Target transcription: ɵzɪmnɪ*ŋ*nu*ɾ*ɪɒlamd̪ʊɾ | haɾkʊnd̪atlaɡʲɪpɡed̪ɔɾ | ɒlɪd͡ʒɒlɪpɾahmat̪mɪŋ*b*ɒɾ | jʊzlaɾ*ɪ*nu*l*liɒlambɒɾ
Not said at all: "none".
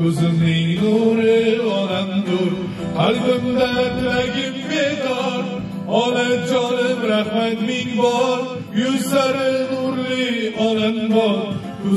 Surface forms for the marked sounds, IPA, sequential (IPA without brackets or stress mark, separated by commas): ŋ, ɾ, b, ɪ, ɾ